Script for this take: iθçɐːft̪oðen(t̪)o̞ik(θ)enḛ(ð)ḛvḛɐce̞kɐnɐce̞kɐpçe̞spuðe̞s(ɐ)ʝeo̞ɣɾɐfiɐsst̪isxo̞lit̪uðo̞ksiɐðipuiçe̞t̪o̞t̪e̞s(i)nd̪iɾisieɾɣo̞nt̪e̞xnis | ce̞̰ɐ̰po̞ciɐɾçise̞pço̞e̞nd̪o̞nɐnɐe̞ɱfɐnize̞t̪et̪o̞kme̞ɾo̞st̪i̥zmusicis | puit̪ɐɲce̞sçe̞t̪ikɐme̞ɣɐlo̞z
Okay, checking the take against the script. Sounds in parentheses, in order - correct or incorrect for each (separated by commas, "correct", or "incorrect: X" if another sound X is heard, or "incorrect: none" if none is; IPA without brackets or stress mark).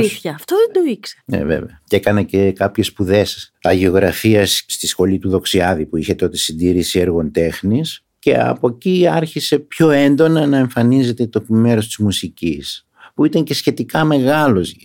incorrect: d̪, incorrect: s, incorrect: v, correct, correct